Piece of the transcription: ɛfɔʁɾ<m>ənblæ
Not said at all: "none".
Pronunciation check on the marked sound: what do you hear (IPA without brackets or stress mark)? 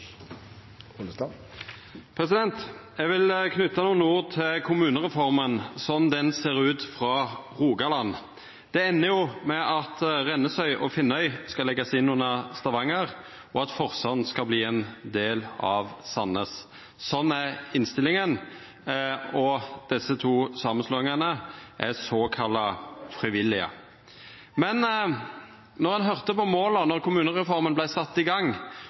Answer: m